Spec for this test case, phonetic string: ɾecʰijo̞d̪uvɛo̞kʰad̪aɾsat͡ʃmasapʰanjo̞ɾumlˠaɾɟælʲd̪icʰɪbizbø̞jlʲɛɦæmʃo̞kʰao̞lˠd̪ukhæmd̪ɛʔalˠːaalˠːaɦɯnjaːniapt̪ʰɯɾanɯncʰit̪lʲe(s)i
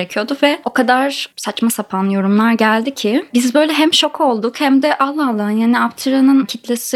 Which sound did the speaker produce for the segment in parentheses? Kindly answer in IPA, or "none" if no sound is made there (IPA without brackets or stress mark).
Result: s